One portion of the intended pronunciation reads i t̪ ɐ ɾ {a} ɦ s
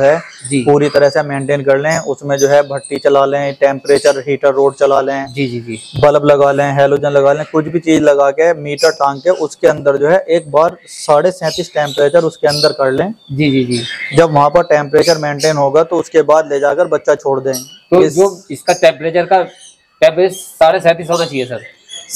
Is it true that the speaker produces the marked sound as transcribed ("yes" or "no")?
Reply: no